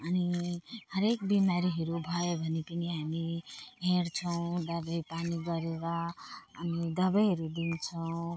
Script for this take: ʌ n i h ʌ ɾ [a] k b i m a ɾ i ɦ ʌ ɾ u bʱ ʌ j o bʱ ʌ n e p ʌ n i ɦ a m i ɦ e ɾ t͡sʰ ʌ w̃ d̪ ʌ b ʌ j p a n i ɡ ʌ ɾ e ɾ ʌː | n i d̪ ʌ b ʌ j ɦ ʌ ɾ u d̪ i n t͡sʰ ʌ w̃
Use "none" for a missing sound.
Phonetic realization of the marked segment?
e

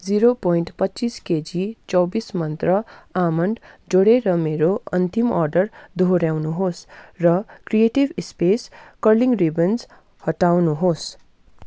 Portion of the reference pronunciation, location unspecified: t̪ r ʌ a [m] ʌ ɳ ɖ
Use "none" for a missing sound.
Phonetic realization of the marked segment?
m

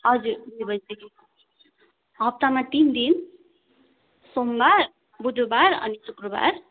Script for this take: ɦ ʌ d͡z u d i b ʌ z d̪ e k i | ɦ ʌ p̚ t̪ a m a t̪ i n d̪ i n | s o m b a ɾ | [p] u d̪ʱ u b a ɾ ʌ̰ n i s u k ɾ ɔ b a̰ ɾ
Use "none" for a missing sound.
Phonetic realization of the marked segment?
b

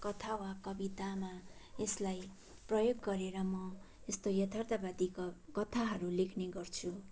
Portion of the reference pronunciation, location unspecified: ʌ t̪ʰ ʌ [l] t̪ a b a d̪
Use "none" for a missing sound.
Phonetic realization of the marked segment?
r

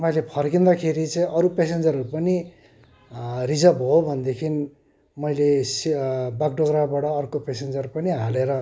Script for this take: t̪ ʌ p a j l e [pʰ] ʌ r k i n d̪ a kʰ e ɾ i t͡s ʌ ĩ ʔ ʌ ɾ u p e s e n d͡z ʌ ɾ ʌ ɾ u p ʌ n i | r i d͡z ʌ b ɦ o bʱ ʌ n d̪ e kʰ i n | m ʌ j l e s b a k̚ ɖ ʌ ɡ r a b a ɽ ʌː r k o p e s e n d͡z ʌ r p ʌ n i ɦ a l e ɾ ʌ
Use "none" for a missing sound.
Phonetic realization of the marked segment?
pʰ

